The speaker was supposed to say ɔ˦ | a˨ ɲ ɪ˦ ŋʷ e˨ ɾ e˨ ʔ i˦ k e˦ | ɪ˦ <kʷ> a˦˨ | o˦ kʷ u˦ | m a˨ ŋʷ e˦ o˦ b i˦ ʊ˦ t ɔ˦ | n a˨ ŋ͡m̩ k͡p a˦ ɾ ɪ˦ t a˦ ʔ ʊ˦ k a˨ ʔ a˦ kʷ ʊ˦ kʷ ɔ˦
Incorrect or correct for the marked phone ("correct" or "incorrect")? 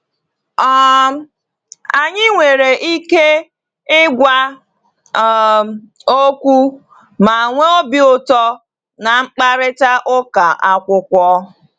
incorrect